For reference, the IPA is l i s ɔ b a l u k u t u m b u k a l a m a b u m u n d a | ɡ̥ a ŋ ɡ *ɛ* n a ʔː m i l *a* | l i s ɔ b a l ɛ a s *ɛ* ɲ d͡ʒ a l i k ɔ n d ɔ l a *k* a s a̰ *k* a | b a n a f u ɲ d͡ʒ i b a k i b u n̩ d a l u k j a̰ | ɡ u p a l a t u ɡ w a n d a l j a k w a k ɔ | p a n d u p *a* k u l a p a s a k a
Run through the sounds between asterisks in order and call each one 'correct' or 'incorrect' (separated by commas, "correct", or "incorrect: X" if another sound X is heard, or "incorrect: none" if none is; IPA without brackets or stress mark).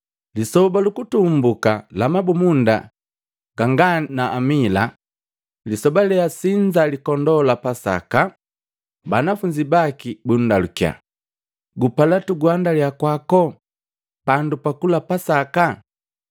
incorrect: a, correct, incorrect: i, incorrect: p, correct, correct